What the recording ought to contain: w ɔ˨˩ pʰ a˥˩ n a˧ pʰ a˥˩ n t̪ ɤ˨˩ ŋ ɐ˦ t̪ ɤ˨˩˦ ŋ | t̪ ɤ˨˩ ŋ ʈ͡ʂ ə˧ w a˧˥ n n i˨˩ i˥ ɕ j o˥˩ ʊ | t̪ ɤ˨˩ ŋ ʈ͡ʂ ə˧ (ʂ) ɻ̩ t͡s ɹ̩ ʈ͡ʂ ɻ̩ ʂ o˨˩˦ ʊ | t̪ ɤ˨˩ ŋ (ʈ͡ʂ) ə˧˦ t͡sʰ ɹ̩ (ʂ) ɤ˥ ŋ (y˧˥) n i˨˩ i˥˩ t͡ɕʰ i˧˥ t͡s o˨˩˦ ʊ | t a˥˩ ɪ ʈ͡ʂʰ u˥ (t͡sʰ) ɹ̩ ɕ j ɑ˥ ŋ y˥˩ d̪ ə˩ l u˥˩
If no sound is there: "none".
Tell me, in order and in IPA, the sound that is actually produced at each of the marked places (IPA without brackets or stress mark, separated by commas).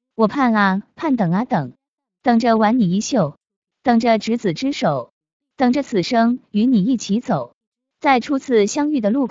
ʈ͡ʂ, ʈ͡ʂ, ʂ, y˧˥, t͡sʰ